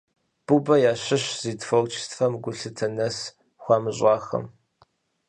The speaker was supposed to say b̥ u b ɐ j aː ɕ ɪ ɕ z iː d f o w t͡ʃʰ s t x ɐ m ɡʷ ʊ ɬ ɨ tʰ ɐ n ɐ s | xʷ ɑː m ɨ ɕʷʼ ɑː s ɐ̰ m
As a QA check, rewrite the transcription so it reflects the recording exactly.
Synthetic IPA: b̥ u b ɐ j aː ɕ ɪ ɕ z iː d f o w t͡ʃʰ s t f ɐ m ɡʷ ʊ ɬ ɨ tʰ ɐ n ɐ s | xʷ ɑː m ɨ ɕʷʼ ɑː x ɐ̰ m